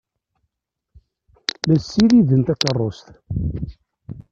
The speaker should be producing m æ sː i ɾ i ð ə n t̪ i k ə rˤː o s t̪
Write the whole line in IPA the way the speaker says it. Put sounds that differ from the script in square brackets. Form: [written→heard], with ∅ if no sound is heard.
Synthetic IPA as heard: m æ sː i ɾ i ð ə n t̪ [i→æ] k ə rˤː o s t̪

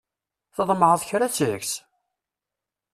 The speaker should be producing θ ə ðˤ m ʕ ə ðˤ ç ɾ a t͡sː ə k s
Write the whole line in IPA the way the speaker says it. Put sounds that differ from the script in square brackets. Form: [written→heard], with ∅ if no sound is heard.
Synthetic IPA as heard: θ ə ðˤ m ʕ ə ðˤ ç ɾ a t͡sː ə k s

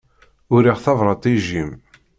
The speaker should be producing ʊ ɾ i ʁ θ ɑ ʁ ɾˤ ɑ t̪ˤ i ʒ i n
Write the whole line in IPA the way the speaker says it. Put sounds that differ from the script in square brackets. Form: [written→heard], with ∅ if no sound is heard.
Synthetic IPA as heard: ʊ ɾ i ʁ θ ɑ [ʁ→v] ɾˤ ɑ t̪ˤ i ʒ i [n→m]

